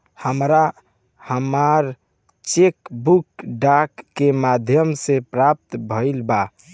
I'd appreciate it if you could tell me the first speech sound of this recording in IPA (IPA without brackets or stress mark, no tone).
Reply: h